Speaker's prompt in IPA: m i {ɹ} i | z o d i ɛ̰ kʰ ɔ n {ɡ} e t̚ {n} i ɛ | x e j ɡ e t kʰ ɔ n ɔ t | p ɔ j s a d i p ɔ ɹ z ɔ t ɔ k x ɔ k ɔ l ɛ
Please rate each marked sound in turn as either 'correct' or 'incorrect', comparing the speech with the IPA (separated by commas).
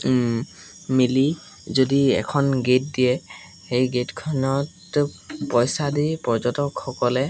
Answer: incorrect, correct, incorrect